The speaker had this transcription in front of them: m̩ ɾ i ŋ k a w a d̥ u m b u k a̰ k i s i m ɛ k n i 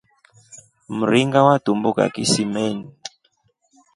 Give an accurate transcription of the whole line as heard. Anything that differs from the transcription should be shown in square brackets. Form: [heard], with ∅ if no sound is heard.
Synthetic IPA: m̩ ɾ i ŋ [ɡ] a w a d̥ u m b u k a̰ k i s i m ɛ [∅] n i